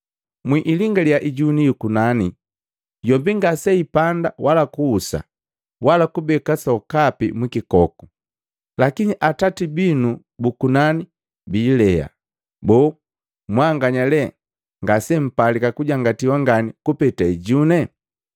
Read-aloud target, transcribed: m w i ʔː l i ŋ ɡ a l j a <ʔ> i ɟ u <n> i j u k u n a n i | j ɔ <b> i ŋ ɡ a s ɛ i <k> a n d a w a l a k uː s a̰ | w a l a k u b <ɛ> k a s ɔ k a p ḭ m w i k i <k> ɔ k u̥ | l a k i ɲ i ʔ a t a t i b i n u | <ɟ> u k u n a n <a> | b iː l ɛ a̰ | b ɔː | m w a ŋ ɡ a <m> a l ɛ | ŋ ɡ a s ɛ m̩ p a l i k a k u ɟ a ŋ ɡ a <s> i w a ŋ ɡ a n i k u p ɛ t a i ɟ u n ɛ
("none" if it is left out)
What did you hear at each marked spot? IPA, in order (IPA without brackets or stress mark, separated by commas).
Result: ʔ, n, b, p, ɛ, k, b, i, ɲ, t